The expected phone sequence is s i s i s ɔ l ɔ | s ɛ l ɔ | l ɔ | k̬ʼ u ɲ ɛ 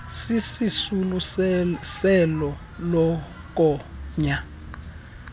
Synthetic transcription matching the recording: s i s i s u l u | s ɛ l ɔ | l ɔ | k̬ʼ ɔ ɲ a